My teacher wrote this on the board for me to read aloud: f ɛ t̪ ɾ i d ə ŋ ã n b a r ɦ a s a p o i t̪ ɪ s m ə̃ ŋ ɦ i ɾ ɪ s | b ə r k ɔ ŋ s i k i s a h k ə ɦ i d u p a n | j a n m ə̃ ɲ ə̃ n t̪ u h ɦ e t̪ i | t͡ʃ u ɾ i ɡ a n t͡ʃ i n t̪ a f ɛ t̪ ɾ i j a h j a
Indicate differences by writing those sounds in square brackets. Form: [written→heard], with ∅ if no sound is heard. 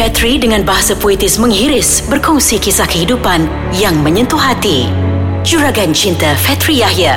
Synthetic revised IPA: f ɛ t̪ ɾ i d ə ŋ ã n b a [r→∅] ɦ a s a p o i t̪ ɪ s m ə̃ ŋ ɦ i ɾ ɪ s | b ə r k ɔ ŋ s i k i s a h k ə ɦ i d u p a n | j a [n→ŋ] m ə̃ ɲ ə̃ n t̪ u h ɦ [e→a] t̪ i | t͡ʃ u ɾ [i→a] ɡ a n t͡ʃ i n t̪ a f ɛ t̪ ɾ i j a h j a